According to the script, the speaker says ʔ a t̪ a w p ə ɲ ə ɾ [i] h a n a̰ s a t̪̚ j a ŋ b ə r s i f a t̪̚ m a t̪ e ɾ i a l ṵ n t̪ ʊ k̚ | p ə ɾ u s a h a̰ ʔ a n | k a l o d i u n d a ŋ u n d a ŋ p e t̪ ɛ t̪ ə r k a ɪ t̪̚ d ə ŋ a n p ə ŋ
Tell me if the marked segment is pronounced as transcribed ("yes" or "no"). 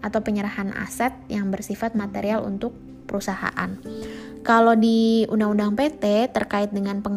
no